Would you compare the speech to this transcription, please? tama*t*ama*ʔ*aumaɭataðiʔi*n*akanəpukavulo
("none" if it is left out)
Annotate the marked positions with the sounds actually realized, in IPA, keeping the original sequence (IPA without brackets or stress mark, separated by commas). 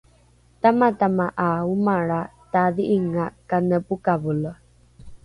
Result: t, ʔ, ŋ